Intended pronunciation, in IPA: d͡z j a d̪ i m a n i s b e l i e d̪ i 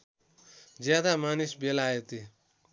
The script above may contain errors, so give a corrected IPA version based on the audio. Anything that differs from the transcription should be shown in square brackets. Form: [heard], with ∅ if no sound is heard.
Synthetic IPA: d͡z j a d̪ [a] m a n i s b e l [a] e [t̪] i